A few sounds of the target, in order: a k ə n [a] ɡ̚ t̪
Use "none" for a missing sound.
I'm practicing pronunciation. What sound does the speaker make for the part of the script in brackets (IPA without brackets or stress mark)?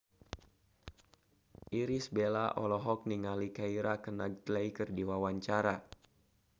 a